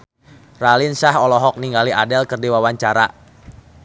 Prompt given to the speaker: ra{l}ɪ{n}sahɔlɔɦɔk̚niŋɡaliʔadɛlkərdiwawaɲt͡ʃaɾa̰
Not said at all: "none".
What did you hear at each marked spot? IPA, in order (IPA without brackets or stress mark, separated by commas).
l, n